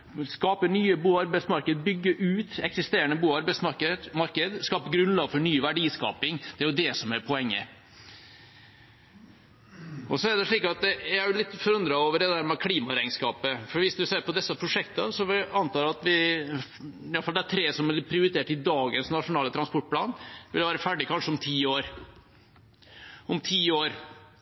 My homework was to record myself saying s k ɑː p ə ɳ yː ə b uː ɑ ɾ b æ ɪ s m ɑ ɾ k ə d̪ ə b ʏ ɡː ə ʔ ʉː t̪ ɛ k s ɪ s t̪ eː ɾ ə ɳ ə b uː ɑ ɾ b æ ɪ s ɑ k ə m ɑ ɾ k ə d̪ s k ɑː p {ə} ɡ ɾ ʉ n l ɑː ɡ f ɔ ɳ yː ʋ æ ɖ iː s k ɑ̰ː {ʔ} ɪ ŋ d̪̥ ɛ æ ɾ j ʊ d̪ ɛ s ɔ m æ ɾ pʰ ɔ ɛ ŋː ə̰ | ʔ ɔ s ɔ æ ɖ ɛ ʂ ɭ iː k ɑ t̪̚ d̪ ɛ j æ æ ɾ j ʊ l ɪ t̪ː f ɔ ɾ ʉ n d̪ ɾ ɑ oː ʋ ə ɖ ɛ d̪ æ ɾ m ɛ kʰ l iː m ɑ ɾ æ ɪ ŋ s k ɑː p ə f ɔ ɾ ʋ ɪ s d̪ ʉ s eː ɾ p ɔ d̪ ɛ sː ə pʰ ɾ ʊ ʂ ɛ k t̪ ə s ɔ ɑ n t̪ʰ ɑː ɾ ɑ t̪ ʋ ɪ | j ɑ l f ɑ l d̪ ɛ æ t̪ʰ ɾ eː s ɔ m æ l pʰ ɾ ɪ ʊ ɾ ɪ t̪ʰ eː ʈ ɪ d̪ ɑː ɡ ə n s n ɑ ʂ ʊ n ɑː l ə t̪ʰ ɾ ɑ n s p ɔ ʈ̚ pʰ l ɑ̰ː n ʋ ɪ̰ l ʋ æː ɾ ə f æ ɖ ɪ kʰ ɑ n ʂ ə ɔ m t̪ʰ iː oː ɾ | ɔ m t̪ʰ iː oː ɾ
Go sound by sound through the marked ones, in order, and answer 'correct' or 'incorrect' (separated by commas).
correct, incorrect